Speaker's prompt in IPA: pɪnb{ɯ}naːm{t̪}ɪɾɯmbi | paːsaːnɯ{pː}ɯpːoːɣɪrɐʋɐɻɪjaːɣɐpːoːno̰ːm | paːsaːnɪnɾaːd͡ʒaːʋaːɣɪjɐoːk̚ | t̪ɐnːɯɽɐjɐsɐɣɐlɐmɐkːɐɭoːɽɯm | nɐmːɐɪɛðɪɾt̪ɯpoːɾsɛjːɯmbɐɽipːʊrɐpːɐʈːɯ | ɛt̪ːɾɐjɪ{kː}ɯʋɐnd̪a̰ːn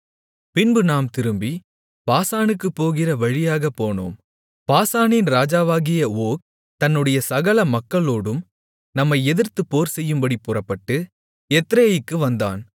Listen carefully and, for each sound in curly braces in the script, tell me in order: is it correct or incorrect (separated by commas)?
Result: correct, correct, incorrect, correct